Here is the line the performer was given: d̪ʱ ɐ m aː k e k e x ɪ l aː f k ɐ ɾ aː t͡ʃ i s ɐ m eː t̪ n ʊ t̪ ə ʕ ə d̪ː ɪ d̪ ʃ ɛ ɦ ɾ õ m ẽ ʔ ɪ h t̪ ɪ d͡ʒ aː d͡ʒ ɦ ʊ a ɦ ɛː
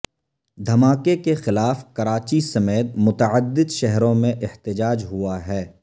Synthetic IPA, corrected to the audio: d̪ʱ ɐ m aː k e k e x ɪ l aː f k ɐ ɾ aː t͡ʃ i s ɐ m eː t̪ m ʊ t̪ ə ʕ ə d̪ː ɪ d̪ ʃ ɛ ɦ ɾ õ m ẽ ʔ ɪ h t̪ ɪ d͡ʒ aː d͡ʒ ɦ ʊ a ɦ ɛː